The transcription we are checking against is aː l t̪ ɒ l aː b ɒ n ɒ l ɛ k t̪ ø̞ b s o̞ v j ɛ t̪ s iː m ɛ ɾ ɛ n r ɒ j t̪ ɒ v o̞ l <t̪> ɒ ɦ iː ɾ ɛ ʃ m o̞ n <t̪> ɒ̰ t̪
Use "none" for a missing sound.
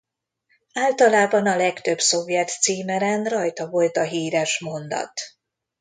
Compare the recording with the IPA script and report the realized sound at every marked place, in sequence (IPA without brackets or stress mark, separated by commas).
t̪, d̪